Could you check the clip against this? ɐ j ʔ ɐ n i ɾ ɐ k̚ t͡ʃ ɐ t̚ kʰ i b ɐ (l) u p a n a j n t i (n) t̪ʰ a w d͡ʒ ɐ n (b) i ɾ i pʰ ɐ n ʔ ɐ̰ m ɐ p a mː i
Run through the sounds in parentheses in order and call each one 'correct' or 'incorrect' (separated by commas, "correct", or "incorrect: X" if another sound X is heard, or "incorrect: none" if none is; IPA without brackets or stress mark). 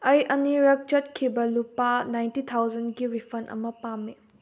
correct, incorrect: none, incorrect: ɡ